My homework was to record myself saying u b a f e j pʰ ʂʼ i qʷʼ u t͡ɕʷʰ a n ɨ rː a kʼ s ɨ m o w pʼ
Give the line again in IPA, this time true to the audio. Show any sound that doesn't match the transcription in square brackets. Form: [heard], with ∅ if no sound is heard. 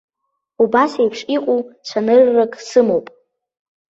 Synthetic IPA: u b a [s] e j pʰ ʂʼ i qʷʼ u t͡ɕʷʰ a n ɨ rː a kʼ s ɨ m o w pʼ